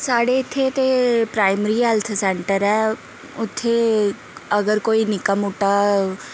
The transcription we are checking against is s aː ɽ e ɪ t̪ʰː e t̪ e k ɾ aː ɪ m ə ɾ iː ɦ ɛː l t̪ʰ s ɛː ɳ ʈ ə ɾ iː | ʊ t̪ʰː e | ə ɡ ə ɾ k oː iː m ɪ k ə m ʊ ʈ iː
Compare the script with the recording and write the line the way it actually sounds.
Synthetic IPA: s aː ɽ e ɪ t̪ʰː e t̪ e p ɾ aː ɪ m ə ɾ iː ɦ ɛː l t̪ʰ s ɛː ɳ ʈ ə ɾ ɛː | ʊ t̪ʰː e | ə ɡ ə ɾ k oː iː n ɪ k ə m ʊ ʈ aː